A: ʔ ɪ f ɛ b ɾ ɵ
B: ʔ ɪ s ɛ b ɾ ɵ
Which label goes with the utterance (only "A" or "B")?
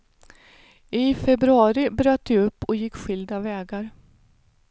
A